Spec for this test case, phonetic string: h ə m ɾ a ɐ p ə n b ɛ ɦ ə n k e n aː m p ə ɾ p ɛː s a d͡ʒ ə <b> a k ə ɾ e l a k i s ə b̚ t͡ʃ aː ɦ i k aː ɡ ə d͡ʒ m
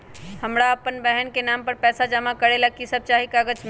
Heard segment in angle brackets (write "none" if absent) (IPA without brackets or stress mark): m